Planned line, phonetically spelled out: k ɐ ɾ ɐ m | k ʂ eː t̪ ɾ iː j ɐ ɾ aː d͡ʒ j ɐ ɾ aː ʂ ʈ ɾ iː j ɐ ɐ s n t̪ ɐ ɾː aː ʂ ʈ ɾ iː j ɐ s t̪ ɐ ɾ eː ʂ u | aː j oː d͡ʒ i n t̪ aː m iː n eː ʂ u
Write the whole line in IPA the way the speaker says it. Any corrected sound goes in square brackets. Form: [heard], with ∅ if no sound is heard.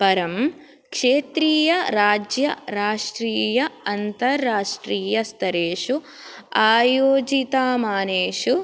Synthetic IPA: [p] ɐ ɾ ɐ m | k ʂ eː t̪ ɾ iː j ɐ ɾ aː d͡ʒ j ɐ ɾ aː ʂ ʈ ɾ iː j ɐ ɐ [∅] n t̪ ɐ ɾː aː ʂ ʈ ɾ iː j ɐ s t̪ ɐ ɾ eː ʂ u | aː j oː d͡ʒ i [∅] t̪ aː m [aː] n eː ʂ u